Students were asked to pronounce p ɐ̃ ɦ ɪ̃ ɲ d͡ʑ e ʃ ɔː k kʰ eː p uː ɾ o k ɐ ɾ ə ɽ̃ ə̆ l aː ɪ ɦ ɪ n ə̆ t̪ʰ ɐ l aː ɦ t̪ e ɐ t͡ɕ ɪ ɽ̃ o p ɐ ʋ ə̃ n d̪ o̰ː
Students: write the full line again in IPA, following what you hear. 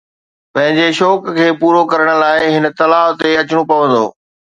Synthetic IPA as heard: p ɐ̃ ɦ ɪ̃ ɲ d͡ʑ e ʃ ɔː k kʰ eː p uː ɾ o k ɐ ɾ ə ɽ̃ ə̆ l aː ɪ ɦ ɪ n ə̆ t̪ ɐ l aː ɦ t̪ e ɐ t͡ɕ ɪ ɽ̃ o p ɐ ʋ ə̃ n d̪ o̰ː